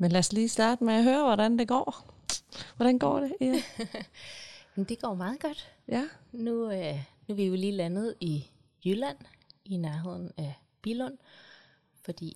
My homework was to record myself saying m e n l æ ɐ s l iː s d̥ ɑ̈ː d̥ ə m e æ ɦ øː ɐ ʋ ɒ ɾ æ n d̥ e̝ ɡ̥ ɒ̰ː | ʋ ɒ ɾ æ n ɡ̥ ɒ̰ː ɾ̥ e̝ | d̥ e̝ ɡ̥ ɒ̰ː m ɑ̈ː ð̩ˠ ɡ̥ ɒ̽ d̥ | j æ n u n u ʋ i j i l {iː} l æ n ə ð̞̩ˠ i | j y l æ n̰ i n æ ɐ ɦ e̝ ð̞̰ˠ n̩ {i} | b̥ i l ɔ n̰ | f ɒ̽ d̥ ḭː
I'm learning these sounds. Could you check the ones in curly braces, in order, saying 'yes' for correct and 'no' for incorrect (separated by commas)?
yes, no